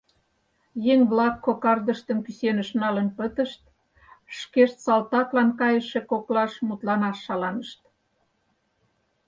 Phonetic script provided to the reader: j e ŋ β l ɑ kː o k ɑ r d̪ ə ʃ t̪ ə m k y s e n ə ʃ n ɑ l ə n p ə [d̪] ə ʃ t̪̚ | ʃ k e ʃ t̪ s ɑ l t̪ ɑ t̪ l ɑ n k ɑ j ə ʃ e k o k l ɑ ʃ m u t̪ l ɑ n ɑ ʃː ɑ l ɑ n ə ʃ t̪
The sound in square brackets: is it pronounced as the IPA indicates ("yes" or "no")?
no